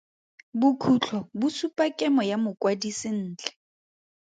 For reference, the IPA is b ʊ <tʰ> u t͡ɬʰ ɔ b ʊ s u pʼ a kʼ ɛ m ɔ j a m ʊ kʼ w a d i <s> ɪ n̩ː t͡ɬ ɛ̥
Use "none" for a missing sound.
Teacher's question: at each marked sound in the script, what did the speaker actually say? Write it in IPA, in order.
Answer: kʰ, s

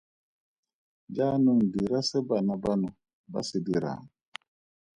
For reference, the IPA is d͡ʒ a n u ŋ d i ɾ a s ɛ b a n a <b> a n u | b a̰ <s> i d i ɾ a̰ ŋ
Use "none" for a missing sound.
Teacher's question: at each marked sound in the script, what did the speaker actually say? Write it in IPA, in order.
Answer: b, s

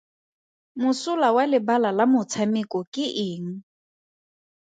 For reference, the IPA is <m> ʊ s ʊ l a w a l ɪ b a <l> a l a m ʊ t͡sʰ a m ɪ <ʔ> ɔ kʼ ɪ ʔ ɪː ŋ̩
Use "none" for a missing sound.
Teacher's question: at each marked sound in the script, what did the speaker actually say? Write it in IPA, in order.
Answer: m, l, k

